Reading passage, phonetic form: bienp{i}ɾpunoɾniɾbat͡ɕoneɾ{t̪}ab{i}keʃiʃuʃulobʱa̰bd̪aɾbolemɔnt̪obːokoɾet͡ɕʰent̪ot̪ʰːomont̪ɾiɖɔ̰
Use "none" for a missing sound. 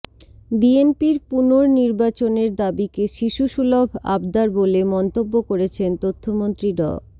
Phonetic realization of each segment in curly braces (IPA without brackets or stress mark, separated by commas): i, d̪, i